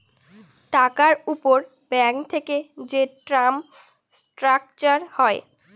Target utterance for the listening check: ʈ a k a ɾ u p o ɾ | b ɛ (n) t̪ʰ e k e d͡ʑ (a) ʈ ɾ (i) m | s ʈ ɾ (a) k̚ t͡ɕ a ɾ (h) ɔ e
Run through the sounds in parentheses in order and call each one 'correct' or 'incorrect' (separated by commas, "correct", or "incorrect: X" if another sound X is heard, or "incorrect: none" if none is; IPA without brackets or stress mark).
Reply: incorrect: ŋ, incorrect: e, incorrect: a, correct, correct